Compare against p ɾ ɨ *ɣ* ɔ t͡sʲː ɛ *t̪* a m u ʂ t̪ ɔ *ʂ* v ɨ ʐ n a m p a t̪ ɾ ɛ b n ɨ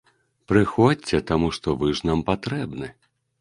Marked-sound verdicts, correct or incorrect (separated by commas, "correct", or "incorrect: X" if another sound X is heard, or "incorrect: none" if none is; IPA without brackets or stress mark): incorrect: x, correct, incorrect: none